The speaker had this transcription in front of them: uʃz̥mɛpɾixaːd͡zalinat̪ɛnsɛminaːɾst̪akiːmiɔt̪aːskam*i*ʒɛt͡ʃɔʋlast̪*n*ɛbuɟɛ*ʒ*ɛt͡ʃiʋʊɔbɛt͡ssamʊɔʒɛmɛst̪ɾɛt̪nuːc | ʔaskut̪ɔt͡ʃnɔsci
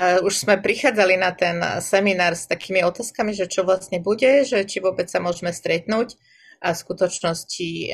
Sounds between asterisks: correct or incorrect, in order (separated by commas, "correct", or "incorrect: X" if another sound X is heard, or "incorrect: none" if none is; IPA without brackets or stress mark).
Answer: correct, incorrect: ɲ, correct